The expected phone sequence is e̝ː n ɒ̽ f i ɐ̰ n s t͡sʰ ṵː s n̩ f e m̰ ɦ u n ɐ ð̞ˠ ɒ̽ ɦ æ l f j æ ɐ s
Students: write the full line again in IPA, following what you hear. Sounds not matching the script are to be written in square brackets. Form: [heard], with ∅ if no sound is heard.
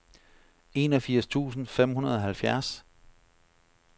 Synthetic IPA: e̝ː n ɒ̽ f i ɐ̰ [∅] s t͡sʰ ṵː s n̩ f e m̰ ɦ u n ɐ ð̞ˠ ɒ̽ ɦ æ l f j æ ɐ s

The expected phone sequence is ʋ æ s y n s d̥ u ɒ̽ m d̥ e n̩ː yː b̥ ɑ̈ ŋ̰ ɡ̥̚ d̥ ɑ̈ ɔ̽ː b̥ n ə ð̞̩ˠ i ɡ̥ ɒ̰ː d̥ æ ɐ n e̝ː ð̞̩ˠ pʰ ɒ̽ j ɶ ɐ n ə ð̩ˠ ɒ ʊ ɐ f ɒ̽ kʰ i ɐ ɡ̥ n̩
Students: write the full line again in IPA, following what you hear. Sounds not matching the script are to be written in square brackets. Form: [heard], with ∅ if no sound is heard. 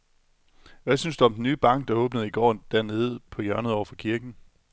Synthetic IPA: ʋ æ s y n s d̥ u ɒ̽ m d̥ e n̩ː yː b̥ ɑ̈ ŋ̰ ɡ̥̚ d̥ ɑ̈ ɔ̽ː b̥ n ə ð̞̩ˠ i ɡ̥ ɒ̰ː d̥ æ ɐ n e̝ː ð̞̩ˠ pʰ ɒ̽ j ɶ ɐ n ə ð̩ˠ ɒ ʊ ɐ f ɒ̽ kʰ i ɐ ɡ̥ n̩

